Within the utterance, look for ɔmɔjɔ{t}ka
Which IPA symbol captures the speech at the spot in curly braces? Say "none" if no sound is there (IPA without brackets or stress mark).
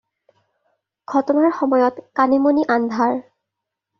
t